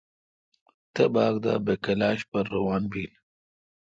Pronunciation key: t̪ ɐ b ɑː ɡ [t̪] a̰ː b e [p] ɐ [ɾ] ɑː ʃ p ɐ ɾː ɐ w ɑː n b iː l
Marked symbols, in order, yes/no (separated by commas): no, no, no